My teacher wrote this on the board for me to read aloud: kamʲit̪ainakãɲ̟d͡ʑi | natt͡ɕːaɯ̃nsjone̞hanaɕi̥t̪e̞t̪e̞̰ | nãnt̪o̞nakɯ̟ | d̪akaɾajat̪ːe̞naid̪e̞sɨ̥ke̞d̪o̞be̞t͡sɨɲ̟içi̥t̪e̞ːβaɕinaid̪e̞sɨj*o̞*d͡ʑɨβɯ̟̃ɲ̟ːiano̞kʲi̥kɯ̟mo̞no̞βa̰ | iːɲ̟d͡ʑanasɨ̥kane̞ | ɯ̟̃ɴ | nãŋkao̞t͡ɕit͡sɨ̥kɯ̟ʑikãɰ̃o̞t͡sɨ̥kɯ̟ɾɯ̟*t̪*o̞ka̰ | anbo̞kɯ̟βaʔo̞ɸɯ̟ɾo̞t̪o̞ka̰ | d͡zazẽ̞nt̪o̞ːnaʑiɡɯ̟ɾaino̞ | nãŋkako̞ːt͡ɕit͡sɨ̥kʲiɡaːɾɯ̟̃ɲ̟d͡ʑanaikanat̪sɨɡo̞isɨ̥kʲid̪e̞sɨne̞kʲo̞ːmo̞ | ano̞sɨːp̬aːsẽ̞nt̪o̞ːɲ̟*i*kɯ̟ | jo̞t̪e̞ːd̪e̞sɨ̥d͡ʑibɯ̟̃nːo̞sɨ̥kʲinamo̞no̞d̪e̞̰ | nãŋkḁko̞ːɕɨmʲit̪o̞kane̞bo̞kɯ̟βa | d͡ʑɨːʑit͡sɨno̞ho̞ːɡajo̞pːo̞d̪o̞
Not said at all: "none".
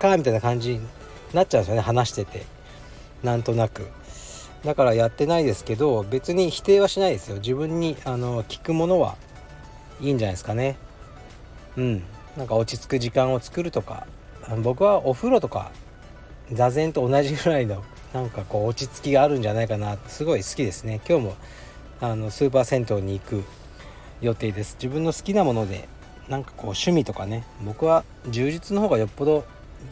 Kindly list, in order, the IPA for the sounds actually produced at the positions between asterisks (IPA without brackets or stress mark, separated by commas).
o̞, t̪, iː